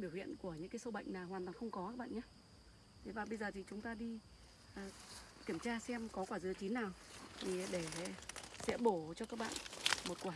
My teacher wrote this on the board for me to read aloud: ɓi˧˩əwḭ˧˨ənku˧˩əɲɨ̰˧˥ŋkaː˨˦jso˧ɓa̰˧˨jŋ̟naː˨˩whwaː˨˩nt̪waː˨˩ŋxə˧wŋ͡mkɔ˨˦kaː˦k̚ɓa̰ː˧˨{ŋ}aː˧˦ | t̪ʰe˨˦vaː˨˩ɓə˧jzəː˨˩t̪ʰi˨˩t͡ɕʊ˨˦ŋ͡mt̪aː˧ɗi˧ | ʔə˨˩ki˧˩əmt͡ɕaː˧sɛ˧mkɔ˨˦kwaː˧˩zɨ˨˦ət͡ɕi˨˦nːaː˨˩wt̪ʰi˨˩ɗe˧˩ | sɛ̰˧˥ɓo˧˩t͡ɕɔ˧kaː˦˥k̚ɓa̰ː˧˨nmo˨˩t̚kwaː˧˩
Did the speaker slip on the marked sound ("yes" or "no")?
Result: yes